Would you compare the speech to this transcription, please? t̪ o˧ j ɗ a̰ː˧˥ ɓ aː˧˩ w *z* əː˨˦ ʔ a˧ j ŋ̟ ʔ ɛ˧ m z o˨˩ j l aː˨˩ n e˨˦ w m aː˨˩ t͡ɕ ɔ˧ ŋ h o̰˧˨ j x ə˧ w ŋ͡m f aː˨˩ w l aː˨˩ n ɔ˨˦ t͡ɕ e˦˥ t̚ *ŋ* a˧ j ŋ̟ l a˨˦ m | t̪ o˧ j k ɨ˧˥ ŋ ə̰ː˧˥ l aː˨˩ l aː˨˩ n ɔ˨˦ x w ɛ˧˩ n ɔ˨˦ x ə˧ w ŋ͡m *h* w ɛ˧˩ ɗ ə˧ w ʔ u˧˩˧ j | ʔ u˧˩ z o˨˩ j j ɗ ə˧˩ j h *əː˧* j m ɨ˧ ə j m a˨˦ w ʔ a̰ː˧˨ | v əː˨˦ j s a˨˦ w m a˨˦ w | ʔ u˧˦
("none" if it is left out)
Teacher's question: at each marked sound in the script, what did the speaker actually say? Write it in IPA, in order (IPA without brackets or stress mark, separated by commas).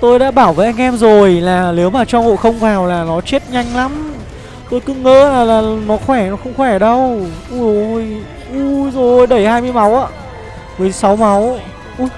v, ɲ, x, aː˧